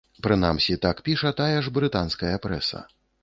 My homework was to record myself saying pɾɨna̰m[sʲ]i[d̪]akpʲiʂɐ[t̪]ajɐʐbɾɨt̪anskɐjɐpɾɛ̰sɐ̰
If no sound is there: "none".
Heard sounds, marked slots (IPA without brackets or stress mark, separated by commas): sʲ, t̪, t̪